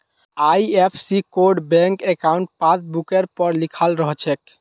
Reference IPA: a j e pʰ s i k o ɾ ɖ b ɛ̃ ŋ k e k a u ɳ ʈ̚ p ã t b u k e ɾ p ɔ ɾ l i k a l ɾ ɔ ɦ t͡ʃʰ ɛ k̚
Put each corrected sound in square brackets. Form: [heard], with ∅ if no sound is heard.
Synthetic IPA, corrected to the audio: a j e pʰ s i k o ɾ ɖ b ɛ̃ ŋ k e k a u ɳ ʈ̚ p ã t b u k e ɾ p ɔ ɾ l i [kʰ] a l ɾ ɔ ɦ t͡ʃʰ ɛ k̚